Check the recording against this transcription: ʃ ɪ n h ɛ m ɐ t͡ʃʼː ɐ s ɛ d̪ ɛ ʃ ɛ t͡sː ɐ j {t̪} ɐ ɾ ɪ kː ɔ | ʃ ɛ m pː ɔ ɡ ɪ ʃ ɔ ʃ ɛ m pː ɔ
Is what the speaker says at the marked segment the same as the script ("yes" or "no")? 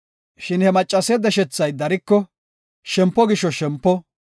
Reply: no